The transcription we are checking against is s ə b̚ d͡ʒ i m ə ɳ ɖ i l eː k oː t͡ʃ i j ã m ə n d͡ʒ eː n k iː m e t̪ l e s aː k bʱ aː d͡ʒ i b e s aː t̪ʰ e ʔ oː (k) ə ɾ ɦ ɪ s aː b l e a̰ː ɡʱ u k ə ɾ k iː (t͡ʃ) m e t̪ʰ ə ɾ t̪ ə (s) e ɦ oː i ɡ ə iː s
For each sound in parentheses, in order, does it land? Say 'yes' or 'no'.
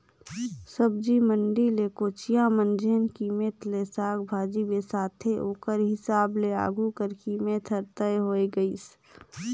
yes, no, no

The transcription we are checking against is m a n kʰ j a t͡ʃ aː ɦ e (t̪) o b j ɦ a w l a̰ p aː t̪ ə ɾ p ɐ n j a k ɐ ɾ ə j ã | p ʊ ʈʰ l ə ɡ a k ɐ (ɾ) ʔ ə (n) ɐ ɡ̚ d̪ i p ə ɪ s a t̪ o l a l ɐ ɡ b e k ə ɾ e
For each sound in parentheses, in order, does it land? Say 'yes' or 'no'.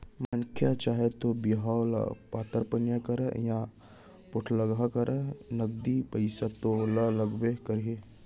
yes, yes, yes

